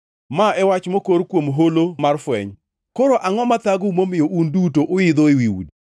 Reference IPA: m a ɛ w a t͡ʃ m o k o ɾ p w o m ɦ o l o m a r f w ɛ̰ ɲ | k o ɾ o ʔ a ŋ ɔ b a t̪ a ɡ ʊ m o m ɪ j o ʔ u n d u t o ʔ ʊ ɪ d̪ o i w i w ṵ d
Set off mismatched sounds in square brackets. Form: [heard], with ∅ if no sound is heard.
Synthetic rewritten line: m a ɛ w a t͡ʃ m o k o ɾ [k] w o m ɦ o l o m a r f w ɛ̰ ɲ | k o ɾ o ʔ a ŋ ɔ [m] a t̪ a ɡ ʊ m o m ɪ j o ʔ u n d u t o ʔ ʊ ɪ d̪ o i w i w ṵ d

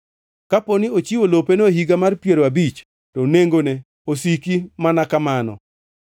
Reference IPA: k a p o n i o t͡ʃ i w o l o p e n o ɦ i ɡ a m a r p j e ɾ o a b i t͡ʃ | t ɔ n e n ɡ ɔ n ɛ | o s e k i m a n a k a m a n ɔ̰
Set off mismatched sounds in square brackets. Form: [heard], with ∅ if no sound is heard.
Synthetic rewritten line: k a p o n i o t͡ʃ i w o l o p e n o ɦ i ɡ a m a r p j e ɾ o a b i t͡ʃ | t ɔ n e [ŋ] ɡ [o] n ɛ | o s [i] k i m a n a k a m a n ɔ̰

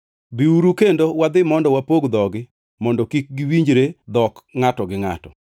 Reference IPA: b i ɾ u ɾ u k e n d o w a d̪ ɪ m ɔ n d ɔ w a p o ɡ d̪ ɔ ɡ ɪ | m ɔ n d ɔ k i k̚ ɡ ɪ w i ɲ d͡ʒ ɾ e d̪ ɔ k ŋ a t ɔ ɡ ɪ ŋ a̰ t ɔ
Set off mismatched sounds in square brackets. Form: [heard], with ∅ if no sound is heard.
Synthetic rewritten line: b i [∅] u ɾ u k e n d o w a d̪ ɪ m ɔ n d ɔ w a p o ɡ d̪ ɔ ɡ ɪ | m ɔ n d ɔ k i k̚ ɡ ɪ w i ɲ d͡ʒ ɾ e d̪ ɔ k ŋ a t ɔ ɡ ɪ ŋ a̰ t ɔ

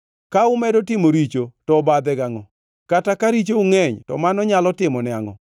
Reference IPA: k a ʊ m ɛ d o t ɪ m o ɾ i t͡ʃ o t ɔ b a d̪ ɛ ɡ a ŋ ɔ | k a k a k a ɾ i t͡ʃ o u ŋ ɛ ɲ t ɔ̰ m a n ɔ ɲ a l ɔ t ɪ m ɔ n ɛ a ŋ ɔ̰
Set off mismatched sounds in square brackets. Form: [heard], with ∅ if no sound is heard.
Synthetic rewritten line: k a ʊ m ɛ d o t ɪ m o ɾ i t͡ʃ o t ɔ b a d̪ ɛ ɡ a ŋ ɔ | k a [t] a k a ɾ i t͡ʃ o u ŋ ɛ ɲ t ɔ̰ m a n ɔ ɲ a l ɔ t ɪ m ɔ n ɛ a ŋ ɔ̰

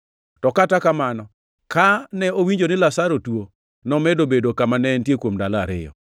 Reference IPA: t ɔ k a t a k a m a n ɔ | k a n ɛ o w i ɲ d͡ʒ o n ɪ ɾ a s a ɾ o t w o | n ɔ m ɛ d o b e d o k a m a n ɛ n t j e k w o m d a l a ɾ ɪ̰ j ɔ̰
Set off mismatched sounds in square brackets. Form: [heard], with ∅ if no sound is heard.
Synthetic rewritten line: t ɔ k a t a k a m a n ɔ | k a n ɛ o w i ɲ d͡ʒ o n ɪ [l] a s a ɾ o t w o | n ɔ m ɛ d o b e d o k a m a n ɛ n t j e k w o m d a l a ɾ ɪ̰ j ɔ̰

